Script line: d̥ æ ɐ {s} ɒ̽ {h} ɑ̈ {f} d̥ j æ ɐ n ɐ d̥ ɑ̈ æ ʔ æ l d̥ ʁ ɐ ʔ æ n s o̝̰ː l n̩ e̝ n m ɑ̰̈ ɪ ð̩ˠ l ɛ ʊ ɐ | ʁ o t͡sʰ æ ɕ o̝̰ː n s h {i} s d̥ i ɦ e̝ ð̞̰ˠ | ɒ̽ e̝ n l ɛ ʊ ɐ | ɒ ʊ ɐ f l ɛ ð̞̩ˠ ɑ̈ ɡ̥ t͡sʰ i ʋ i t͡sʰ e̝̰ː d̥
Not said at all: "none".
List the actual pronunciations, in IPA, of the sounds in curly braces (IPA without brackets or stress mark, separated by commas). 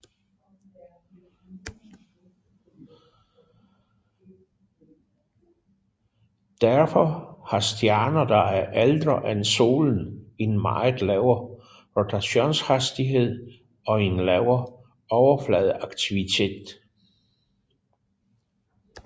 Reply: f, h, s, æ